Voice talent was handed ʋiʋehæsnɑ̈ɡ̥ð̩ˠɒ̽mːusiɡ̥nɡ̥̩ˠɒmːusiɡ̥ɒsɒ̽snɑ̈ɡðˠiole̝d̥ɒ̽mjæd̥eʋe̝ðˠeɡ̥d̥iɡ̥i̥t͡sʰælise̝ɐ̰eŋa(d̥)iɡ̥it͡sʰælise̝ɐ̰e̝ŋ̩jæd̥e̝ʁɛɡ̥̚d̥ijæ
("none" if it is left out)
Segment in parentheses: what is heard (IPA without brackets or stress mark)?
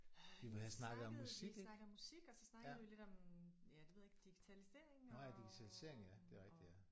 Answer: d̥